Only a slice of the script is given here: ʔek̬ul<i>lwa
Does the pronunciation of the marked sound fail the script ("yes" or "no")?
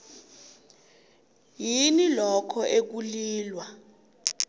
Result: yes